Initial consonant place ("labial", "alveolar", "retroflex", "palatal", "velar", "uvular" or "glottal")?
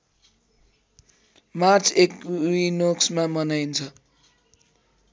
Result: labial